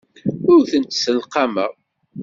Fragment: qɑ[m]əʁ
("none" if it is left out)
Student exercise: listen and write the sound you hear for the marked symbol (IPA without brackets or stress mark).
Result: m